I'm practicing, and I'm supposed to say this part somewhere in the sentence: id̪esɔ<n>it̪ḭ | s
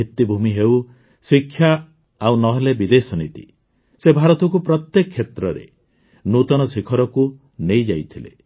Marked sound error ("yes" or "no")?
no